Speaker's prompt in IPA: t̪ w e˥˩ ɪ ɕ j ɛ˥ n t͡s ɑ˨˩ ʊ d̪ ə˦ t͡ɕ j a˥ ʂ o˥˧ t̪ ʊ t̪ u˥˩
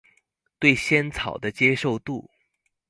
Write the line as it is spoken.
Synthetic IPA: t̪ w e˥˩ ɪ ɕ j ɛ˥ n t͡sʰ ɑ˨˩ ʊ d̪ ə˦ t͡ɕ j ɛ˥ ʂ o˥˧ ʊ t̪ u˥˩